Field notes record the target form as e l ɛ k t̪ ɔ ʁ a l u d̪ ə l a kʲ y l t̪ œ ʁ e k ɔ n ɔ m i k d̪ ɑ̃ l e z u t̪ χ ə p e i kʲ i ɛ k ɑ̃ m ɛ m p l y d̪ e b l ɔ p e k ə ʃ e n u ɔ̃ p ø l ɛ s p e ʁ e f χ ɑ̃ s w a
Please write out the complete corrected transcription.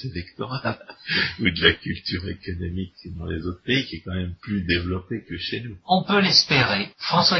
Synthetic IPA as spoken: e l ɛ k t̪ ɔ ʁ a l u d̪ ə l a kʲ y l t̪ y ʁ e k ɔ n ɔ m i k d̪ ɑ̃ l e z o t̪ χ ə p e i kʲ i ɛ k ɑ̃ m ɛ m p l y d̪ e v l ɔ p e k ə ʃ e n u ɔ̃ p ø l ɛ s p e ʁ e f χ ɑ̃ s w a